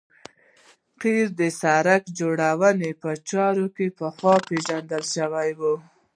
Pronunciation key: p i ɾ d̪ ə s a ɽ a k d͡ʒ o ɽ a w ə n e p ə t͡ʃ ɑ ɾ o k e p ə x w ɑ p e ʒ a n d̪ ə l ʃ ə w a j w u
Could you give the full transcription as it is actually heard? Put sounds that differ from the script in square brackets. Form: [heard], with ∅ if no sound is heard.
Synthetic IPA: [q] i ɾ d̪ ə s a [ɾ] a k d͡ʒ o ɽ a w ə n e p ə t͡ʃ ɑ ɾ o k e p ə x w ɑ p e ʒ a n d̪ ə l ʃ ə w a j w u